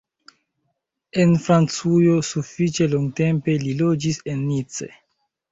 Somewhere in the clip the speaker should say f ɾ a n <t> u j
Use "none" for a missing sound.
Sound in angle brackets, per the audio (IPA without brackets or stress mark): t͡s